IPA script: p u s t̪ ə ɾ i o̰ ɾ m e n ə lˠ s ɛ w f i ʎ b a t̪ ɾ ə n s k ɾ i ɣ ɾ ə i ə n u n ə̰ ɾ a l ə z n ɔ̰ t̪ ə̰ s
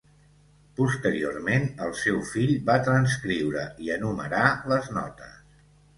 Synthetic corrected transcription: p u s t̪ ə ɾ i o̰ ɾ m e n ə lˠ s ɛ w f i ʎ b a t̪ ɾ ə n s k ɾ i w ɾ ə i ə n u m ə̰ ɾ a l ə z n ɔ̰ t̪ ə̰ s